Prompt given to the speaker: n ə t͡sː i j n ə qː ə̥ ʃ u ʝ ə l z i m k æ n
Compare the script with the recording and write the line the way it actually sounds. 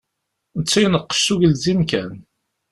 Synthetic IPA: n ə t͡sː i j n ə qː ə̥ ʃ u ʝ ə l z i m k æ n